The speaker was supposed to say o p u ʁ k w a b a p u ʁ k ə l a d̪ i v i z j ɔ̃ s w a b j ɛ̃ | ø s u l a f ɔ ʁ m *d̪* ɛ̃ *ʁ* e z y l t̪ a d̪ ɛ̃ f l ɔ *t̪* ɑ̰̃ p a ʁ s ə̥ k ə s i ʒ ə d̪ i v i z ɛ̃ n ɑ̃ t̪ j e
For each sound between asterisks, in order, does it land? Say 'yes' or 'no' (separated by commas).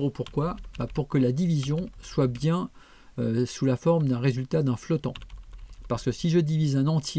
yes, yes, yes